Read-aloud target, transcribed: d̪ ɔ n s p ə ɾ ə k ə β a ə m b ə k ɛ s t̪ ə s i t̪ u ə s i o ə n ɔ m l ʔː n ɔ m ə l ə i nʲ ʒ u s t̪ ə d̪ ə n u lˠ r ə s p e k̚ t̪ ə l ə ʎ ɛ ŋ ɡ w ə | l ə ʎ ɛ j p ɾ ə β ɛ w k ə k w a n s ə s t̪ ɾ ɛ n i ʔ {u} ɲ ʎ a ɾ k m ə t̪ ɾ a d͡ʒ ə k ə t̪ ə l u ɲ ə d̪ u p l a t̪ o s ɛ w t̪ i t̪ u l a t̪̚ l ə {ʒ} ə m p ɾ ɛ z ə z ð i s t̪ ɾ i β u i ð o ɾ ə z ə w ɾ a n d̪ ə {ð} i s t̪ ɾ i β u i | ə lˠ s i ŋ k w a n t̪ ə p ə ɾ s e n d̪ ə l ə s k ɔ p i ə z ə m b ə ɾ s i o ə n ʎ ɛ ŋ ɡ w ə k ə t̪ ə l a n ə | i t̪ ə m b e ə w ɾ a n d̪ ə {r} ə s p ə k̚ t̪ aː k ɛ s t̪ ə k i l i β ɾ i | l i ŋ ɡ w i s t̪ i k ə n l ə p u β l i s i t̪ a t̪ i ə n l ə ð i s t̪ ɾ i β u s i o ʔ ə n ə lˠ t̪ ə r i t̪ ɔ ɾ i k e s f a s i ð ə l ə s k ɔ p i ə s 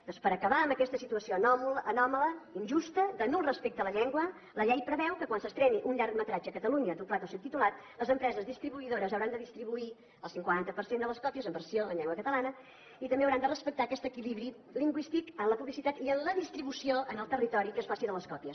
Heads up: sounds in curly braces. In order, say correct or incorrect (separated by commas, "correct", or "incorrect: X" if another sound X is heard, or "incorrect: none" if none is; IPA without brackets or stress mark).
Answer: correct, incorrect: z, correct, correct